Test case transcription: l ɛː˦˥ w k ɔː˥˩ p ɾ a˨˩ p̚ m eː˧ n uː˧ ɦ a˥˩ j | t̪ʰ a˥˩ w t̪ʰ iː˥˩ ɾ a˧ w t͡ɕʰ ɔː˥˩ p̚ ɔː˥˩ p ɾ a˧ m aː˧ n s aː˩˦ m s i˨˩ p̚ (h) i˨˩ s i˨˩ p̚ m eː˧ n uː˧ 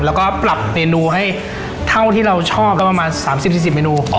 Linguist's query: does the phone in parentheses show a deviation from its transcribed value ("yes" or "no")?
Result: yes